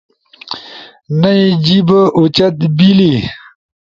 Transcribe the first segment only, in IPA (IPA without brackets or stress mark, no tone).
n